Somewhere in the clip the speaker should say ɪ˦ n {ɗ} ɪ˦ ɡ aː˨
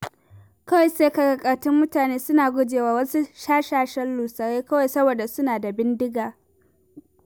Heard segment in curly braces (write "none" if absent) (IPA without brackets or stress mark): d